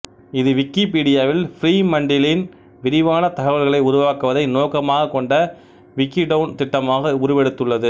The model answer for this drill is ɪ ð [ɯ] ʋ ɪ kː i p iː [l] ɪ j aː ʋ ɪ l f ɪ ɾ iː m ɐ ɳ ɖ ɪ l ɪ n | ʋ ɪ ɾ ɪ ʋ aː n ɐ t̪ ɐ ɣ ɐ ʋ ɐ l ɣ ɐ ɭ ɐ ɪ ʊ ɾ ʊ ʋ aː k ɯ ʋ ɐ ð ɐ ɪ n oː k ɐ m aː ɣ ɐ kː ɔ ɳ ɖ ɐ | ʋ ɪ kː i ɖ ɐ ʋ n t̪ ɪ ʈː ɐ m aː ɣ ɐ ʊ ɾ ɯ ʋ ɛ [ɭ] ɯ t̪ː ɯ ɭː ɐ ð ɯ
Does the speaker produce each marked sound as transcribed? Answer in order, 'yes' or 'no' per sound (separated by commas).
yes, no, no